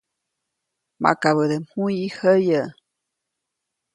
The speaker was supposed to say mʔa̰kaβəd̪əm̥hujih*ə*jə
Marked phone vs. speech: correct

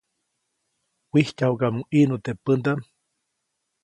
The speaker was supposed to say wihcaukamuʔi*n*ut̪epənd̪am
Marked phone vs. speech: correct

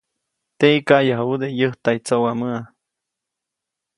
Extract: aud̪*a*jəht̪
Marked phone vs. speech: incorrect: e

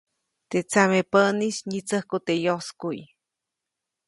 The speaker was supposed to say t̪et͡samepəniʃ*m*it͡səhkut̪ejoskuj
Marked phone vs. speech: incorrect: ɲ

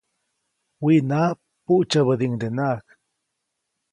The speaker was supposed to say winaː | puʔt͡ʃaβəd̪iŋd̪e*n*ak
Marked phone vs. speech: correct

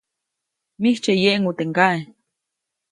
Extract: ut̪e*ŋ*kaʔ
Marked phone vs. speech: correct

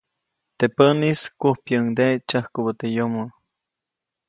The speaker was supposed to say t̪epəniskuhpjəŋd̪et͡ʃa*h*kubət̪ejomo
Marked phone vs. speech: correct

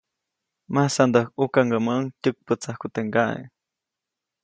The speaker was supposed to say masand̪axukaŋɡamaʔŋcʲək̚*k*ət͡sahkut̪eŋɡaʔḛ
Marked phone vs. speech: incorrect: p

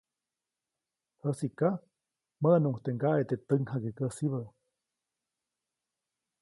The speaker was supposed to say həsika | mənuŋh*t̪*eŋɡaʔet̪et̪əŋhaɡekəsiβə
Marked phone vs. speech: correct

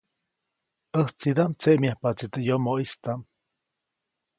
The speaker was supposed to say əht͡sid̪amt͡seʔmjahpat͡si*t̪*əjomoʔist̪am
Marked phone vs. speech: correct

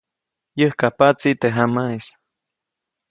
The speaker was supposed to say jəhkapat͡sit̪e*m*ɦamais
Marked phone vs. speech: incorrect: none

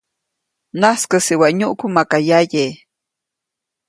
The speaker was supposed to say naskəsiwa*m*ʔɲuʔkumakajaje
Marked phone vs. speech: incorrect: none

